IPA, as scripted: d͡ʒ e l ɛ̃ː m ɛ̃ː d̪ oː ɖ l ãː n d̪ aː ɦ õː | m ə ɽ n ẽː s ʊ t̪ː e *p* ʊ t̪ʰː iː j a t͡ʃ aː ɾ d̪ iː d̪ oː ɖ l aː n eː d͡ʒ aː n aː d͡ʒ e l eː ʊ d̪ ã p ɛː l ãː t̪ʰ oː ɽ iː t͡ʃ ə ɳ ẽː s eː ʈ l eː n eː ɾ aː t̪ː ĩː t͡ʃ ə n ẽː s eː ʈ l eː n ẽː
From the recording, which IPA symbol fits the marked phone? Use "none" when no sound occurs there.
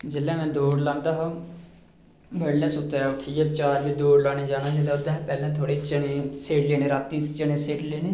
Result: none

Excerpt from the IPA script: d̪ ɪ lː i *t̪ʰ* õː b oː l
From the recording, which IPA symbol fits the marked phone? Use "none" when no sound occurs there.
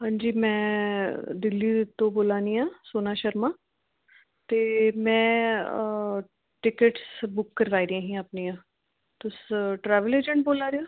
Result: t̪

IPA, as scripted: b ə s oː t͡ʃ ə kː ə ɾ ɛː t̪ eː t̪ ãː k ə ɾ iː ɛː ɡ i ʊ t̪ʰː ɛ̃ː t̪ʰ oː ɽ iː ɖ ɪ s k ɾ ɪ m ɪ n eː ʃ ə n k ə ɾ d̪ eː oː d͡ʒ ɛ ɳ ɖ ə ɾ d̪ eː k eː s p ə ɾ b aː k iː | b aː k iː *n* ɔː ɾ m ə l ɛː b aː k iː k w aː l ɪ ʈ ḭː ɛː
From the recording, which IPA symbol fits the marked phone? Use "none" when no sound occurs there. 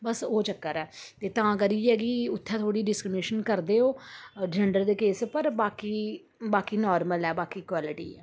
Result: n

